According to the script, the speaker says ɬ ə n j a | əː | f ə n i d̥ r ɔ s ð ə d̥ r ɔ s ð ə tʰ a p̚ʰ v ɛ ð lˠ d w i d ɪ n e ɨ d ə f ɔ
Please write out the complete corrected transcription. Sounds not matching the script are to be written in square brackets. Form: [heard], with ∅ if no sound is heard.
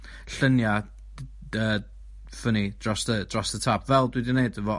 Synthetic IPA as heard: ɬ ə n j a | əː | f ə n i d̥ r ɔ s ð ə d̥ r ɔ s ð ə tʰ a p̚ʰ v ɛ [∅] lˠ d w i d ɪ n e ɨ d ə [v] ɔ

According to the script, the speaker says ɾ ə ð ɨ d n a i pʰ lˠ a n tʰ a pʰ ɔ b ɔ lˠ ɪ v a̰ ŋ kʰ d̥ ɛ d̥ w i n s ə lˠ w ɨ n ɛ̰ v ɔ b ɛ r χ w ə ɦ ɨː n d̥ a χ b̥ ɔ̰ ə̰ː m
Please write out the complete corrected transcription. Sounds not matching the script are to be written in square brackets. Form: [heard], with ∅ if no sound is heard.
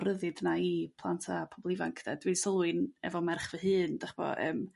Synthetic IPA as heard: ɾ ə ð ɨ d n a i pʰ lˠ a n tʰ a pʰ ɔ b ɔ lˠ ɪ v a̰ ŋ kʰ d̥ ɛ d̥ w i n s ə lˠ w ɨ n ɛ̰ v ɔ [m] ɛ r χ [v] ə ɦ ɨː n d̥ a χ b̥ ɔ̰ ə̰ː m

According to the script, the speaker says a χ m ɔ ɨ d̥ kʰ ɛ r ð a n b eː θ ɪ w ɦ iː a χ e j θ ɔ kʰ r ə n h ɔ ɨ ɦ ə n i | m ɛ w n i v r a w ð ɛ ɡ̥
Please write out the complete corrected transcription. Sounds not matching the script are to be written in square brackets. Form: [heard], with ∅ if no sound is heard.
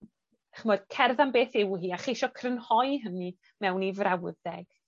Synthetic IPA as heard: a χ m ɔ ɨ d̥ kʰ ɛ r ð a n b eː θ ɪ w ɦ iː a χ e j [ʃ] ɔ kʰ r ə n h ɔ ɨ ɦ ə n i | m ɛ w n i v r a w ð ɛ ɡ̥

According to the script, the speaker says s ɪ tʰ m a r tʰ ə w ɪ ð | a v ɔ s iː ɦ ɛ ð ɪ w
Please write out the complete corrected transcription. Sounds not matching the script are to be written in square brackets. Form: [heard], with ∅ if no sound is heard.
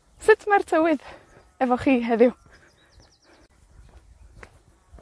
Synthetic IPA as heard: s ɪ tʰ m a r tʰ ə w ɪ ð | [ɛ] v ɔ [χ] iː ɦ ɛ ð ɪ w

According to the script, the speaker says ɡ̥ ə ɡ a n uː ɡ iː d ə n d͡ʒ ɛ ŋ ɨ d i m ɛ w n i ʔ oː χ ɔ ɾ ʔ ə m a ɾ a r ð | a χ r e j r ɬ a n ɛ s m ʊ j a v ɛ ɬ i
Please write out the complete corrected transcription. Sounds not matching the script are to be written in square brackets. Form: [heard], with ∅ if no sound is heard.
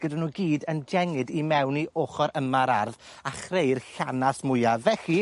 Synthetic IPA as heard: ɡ̥ ə [d] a n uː ɡ iː d ə n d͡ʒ ɛ ŋ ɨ d i m ɛ w n i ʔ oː χ ɔ ɾ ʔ ə m a ɾ a r ð | a χ r e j r ɬ a n [a] s m ʊ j a v ɛ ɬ i

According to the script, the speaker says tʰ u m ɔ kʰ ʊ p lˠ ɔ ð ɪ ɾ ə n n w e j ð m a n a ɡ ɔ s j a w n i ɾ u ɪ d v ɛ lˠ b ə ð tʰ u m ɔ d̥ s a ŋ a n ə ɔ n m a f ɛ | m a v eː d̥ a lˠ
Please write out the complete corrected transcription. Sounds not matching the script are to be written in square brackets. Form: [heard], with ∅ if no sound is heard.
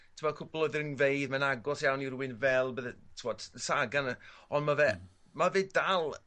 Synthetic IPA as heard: tʰ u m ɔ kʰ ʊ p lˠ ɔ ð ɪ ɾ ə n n [v] e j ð m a n a ɡ ɔ s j a w n i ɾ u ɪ [n] v ɛ lˠ b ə ð tʰ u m ɔ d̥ s a [ɡ] a n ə ɔ n m a [v] ɛ | m a v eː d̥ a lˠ

